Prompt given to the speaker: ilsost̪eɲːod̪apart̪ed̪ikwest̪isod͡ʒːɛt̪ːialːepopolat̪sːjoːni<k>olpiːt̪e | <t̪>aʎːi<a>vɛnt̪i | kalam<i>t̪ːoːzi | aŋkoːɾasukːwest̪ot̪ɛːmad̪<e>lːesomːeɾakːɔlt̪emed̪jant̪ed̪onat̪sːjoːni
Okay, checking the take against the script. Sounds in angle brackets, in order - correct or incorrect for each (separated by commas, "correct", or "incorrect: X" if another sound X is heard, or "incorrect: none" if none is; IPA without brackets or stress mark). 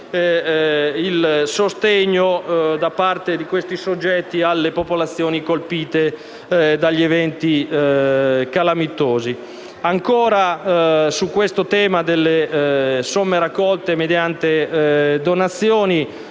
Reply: correct, incorrect: d̪, incorrect: e, correct, correct